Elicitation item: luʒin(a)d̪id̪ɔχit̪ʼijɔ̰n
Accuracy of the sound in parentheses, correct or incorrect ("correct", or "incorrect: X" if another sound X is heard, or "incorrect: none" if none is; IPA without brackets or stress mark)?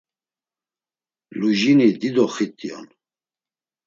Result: incorrect: i